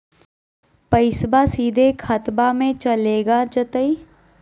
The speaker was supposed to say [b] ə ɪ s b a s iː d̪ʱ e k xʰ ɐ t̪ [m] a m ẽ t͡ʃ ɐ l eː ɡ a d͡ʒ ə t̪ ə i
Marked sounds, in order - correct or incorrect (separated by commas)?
incorrect, incorrect